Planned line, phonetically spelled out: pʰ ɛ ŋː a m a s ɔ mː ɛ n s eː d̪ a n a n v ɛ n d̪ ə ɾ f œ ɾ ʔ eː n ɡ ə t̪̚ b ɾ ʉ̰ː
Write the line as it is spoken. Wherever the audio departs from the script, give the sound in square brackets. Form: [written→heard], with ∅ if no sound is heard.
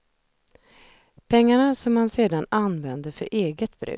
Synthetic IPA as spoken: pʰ ɛ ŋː a [m→ɳ] a s ɔ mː [ɛ→a] n s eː d̪ a n a n v ɛ n d̪ ə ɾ f œ ɾ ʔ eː [n→∅] ɡ ə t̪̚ b ɾ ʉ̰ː